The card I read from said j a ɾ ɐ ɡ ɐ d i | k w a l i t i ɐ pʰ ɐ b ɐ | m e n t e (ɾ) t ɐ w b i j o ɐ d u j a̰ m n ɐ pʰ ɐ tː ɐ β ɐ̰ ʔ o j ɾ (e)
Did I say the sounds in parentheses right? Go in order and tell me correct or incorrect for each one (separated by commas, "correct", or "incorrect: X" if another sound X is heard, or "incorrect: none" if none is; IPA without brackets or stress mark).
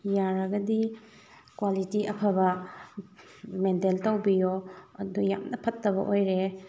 incorrect: l, correct